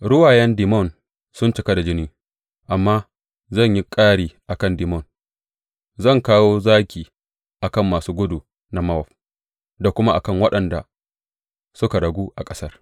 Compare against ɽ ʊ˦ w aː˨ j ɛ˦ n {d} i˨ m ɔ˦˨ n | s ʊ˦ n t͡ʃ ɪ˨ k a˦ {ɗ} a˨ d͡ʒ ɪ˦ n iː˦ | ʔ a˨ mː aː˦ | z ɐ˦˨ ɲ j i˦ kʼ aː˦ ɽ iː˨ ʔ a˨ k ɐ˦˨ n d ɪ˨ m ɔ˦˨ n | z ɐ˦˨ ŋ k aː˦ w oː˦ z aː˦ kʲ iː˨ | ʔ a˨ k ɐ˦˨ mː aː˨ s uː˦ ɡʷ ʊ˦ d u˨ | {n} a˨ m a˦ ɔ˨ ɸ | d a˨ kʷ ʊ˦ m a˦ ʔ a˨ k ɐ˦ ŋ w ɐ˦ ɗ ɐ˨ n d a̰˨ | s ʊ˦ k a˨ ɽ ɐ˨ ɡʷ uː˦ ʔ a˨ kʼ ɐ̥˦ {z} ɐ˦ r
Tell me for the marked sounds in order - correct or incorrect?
correct, incorrect: d, correct, incorrect: s

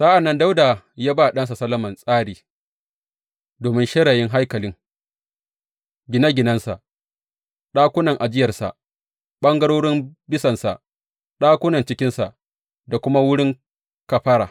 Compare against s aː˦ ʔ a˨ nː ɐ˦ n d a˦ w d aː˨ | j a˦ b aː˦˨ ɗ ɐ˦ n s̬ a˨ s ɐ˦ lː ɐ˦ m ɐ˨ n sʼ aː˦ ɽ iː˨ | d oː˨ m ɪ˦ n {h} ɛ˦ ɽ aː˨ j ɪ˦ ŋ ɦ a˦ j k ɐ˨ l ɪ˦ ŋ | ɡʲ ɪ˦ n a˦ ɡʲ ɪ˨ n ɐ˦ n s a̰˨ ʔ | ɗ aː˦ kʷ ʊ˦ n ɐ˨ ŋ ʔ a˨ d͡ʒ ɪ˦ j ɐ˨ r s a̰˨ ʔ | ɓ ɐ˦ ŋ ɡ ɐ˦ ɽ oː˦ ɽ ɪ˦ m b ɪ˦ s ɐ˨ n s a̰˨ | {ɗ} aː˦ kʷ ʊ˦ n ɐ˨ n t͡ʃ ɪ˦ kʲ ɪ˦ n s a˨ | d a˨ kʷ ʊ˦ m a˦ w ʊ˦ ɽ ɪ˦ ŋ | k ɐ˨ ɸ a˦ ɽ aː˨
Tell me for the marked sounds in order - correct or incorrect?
incorrect: ʃ, correct

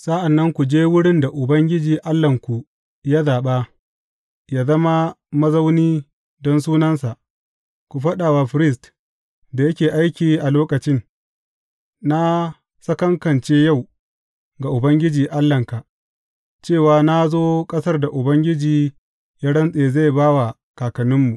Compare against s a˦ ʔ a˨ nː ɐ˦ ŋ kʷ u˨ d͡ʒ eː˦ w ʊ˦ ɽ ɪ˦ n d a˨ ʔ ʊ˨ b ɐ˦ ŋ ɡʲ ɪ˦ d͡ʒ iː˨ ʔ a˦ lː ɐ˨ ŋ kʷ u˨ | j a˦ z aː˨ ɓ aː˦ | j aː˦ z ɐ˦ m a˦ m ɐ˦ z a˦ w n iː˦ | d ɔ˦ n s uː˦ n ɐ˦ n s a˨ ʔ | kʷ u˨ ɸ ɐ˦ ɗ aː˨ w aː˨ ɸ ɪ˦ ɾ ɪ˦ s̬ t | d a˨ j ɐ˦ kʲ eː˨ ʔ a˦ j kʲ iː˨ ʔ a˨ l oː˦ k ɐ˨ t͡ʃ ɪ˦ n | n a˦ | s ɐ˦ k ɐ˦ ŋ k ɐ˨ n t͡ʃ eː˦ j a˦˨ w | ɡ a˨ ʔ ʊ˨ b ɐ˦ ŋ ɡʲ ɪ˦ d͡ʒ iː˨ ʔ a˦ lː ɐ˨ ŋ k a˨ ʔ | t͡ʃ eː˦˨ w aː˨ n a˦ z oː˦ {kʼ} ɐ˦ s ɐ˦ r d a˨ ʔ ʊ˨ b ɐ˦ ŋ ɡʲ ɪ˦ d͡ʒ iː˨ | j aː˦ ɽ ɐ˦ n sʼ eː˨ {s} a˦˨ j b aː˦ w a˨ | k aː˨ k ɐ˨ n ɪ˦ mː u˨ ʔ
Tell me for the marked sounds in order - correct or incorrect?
correct, incorrect: z

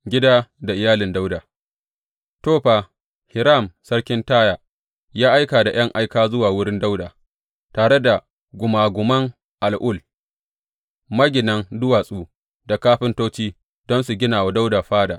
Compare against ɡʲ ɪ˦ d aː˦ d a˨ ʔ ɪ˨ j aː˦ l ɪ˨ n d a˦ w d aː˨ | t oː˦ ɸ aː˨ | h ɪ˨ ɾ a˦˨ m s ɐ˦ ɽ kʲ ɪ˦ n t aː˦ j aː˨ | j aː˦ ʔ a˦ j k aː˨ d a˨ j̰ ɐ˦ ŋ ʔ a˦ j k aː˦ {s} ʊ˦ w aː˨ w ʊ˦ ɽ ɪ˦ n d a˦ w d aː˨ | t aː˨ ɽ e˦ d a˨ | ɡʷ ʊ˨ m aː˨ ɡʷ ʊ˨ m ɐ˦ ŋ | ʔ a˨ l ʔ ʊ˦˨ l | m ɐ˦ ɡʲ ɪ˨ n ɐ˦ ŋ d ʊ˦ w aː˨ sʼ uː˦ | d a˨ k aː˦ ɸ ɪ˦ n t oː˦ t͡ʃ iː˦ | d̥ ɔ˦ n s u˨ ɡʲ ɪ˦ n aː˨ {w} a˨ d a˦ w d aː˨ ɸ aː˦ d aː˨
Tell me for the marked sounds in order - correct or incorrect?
incorrect: z, correct

